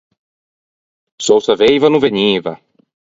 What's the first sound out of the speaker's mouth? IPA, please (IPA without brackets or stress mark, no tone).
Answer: s